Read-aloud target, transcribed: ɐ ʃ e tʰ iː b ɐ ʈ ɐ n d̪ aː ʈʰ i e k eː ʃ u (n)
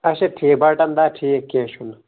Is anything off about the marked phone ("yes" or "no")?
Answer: no